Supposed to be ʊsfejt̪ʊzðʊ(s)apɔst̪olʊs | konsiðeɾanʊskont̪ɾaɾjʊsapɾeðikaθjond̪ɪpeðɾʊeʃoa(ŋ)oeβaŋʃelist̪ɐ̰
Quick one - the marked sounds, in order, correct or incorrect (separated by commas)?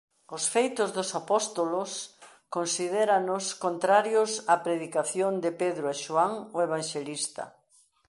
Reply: correct, correct